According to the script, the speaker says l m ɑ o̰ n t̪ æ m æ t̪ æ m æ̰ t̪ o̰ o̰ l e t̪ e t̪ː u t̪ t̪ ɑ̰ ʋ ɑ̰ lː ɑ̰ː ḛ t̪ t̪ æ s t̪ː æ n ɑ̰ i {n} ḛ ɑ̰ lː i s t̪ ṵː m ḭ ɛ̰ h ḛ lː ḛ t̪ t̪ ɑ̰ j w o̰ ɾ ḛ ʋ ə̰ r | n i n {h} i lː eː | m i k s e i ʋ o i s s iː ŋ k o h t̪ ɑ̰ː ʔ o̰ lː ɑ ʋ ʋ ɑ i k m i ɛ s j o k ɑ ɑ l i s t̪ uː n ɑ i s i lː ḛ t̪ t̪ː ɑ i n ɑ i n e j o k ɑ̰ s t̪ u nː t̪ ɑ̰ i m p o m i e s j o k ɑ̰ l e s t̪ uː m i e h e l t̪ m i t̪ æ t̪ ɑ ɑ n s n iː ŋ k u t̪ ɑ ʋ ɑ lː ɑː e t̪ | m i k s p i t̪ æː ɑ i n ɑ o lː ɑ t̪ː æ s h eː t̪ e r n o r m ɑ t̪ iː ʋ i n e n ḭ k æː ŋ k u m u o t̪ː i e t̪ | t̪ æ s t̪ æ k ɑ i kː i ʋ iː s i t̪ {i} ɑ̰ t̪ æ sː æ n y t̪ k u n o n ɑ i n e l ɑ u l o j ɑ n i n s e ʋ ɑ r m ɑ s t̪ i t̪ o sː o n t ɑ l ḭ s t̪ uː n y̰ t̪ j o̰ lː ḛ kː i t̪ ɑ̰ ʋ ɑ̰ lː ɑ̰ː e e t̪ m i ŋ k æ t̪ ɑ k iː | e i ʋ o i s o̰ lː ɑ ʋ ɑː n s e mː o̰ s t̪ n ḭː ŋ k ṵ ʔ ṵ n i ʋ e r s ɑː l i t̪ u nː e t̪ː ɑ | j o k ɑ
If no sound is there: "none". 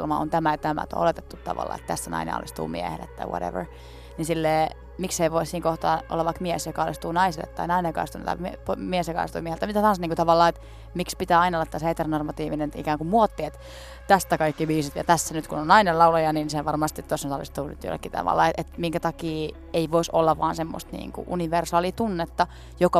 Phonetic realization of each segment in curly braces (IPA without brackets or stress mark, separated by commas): n, s, j